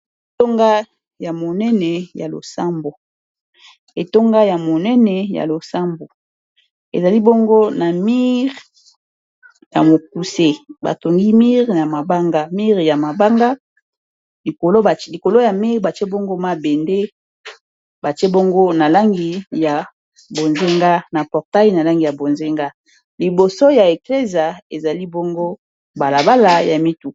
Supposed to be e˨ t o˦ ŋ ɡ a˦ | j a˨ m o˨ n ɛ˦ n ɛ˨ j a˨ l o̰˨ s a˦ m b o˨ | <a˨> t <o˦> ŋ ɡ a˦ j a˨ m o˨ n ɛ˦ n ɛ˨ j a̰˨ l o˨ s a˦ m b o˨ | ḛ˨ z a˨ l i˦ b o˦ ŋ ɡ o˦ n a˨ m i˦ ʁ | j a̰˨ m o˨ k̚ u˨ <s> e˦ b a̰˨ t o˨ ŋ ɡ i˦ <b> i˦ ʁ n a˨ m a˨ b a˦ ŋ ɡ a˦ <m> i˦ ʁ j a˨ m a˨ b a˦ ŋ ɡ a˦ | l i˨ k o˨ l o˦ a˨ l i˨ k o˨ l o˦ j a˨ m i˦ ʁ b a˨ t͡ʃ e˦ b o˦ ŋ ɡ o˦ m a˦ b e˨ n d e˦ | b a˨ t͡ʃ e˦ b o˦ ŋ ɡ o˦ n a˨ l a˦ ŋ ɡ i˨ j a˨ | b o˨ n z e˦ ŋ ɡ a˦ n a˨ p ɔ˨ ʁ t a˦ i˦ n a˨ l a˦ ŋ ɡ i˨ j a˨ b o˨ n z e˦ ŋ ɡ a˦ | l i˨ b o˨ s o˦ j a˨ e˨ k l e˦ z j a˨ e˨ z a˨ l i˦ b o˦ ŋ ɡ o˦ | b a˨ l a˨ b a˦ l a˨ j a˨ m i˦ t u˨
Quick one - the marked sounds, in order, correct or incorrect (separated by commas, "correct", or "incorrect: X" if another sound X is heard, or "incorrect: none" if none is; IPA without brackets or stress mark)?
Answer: incorrect: e˨, correct, correct, incorrect: m, correct